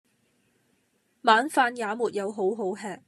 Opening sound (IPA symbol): m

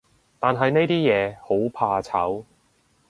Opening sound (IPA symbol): t̪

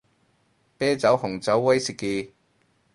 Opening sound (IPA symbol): p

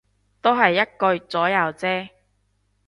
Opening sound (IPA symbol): t̪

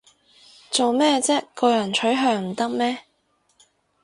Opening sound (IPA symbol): t͡s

